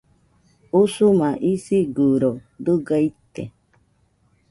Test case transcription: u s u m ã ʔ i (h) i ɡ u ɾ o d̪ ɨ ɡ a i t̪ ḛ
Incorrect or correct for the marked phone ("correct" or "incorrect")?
incorrect